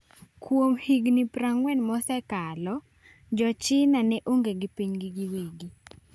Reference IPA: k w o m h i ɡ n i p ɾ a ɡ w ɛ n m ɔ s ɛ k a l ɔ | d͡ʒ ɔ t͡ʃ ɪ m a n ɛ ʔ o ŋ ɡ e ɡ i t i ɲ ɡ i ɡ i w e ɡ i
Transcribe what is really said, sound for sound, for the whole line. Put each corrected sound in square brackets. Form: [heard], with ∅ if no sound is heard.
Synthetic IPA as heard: k w o m h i ɡ n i p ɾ a [ŋ] w ɛ n m ɔ s ɛ k a l ɔ | d͡ʒ ɔ t͡ʃ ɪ [n] a n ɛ ʔ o ŋ ɡ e ɡ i [p] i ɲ ɡ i ɡ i w e ɡ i